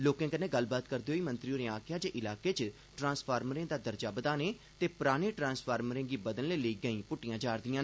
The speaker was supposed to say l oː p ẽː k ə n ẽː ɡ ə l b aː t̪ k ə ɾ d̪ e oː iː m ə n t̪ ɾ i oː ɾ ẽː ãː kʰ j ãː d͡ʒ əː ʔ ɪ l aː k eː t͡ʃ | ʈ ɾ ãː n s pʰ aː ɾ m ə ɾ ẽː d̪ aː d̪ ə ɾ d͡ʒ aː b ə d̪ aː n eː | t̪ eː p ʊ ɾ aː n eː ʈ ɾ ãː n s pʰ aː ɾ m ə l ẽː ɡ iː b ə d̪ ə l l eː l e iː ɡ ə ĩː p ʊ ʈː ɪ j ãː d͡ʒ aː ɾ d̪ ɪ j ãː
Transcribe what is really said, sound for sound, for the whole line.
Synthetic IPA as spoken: l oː k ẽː k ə n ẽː ɡ ə l b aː t̪ k ə ɾ d̪ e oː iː m ə n t̪ ɾ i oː ɾ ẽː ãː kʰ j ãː d͡ʒ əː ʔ ɪ l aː k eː t͡ʃ | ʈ ɾ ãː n s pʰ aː ɾ m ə ɾ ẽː d̪ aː d̪ ə ɾ d͡ʒ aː b ə d̪ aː n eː | t̪ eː p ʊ ɾ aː n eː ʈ ɾ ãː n s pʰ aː ɾ m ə ɾ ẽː ɡ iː b ə d̪ ə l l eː l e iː ɡ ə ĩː p ʊ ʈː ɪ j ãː d͡ʒ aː ɾ d̪ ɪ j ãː